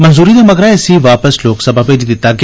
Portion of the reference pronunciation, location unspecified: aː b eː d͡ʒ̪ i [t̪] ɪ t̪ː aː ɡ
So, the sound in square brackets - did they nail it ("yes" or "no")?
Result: no